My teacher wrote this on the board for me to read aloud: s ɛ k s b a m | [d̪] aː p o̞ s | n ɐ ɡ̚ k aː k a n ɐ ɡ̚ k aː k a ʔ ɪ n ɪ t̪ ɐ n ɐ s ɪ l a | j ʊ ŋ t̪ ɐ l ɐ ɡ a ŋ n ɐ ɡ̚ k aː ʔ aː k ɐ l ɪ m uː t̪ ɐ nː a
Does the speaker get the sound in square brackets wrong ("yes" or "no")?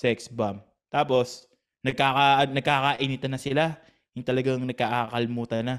yes